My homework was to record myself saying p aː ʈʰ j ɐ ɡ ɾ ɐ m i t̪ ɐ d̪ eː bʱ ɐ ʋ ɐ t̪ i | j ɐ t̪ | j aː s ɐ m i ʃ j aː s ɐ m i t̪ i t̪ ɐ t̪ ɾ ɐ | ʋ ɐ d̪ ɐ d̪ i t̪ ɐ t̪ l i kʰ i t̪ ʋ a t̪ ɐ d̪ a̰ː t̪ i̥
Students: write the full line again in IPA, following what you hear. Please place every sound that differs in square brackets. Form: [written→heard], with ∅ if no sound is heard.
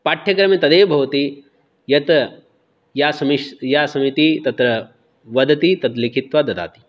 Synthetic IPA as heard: p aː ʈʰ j ɐ [ɡ→k] ɾ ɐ m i t̪ ɐ d̪ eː bʱ ɐ ʋ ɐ t̪ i | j ɐ t̪ | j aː s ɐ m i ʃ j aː s ɐ m i t̪ i t̪ ɐ t̪ ɾ ɐ | ʋ ɐ d̪ ɐ [d̪→t̪] i t̪ ɐ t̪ l i kʰ i t̪ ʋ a [t̪→d̪] ɐ d̪ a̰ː t̪ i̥